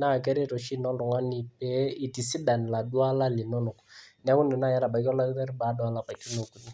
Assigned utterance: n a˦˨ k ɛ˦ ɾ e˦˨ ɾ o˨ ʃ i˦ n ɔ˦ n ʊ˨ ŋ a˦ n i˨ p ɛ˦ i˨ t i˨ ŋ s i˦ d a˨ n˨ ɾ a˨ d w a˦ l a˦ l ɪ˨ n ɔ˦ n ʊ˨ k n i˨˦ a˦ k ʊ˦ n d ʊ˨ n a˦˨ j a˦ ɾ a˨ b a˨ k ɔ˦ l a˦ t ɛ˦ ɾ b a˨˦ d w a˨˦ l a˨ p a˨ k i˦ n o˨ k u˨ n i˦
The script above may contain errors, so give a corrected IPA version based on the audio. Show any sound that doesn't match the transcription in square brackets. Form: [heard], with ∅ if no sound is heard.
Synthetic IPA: n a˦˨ k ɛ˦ ɾ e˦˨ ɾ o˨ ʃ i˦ n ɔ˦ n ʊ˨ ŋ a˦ n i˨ p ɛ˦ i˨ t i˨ [∅] s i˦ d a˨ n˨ [l] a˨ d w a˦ l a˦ l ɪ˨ n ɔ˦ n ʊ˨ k n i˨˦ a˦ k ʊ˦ n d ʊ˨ n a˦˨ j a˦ ɾ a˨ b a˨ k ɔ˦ l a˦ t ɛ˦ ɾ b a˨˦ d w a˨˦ l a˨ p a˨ k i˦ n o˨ k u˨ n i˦